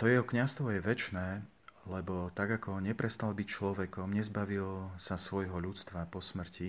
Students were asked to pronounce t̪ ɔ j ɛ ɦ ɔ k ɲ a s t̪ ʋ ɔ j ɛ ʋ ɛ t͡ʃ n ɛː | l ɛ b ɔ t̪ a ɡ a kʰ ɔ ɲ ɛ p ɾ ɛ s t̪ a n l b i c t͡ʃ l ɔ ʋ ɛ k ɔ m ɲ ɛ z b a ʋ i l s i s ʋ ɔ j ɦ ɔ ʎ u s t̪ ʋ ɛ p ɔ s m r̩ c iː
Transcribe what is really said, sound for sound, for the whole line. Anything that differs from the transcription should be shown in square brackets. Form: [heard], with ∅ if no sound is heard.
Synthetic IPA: t̪ ɔ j ɛ ɦ ɔ k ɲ a s t̪ ʋ ɔ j ɛ ʋ ɛ t͡ʃ n ɛː | l ɛ b ɔ t̪ a ɡ a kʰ ɔ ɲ ɛ p ɾ ɛ s t̪ a [∅] l b i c t͡ʃ l ɔ ʋ ɛ k ɔ m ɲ ɛ z b a ʋ i l s [a] s ʋ ɔ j ɦ ɔ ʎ u [t͡s] t̪ ʋ [a] p ɔ s m r̩ c [i]